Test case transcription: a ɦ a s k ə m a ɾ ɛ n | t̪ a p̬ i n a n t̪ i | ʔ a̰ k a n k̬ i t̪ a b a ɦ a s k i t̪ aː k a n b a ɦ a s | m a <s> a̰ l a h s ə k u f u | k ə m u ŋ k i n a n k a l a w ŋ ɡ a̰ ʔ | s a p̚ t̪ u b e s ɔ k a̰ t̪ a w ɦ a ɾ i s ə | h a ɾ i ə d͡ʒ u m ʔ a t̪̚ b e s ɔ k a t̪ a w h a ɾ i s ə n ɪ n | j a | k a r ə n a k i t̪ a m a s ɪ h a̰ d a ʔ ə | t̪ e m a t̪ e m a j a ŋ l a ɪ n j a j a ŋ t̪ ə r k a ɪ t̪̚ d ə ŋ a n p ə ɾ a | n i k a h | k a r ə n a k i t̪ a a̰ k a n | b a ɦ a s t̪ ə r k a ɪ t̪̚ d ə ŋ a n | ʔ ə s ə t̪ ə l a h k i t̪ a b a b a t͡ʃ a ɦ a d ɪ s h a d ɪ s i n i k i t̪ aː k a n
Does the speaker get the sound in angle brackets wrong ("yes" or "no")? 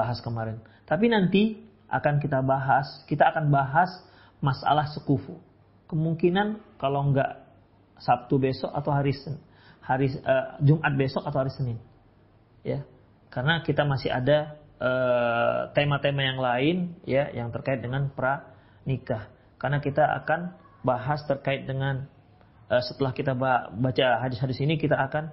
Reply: no